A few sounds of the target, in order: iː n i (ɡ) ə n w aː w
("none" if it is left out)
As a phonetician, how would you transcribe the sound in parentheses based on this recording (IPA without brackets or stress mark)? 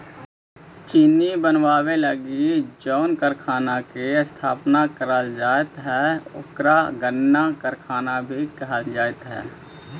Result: b